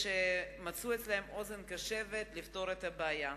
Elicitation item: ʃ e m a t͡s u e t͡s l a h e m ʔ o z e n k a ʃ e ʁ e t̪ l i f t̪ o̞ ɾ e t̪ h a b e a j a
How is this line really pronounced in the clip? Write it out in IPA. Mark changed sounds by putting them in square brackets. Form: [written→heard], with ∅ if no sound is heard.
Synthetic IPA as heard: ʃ e m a t͡s u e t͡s l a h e m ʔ o z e n k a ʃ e [ʁ→v] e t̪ l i f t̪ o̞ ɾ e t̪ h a b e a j a

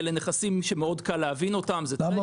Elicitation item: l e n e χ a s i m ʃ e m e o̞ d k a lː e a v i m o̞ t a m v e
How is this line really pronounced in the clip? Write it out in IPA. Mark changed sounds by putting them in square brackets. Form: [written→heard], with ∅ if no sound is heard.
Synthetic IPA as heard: l e n e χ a s i m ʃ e m e o̞ d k a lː e a v i [m→n] o̞ t a m [v→z] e

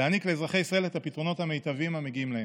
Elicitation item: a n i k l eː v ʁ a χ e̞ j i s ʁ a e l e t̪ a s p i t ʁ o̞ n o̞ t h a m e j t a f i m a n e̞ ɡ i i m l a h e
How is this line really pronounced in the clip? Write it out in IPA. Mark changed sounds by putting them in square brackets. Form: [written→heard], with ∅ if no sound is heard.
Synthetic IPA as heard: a n i k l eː [v→z] ʁ a χ e̞ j i s ʁ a e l e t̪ a [s→∅] p i t ʁ o̞ n o̞ t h a m e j t a [f→v] i m a [n→m] e̞ ɡ i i m l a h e

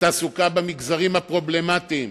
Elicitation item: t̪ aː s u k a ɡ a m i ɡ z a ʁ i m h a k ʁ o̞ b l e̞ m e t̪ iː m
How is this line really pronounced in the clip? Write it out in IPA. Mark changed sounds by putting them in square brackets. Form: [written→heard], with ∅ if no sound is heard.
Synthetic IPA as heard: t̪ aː s u k a [ɡ→b] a m i ɡ z a ʁ i m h a [k→p] ʁ o̞ b l e̞ m [e→a] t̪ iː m

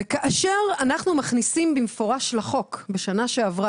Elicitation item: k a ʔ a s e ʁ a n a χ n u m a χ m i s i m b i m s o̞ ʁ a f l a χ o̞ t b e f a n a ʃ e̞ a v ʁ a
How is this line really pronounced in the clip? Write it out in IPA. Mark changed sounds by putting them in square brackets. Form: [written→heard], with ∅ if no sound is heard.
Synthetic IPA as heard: k a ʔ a [s→ʃ] e ʁ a n a χ n u m a χ [m→n] i s i m b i m [s→f] o̞ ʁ a [f→ʃ] l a χ o̞ [t→k] b e [f→ʃ] a n a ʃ e̞ a v ʁ a

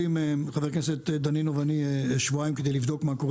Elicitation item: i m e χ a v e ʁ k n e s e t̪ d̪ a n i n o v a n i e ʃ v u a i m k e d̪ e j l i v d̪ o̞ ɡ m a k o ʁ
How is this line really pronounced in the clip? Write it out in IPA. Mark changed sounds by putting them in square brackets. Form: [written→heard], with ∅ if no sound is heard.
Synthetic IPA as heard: i m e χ a v e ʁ k n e s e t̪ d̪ a n i n o v a n i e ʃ v u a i m k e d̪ e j l i v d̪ o̞ [ɡ→k] m a k o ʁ

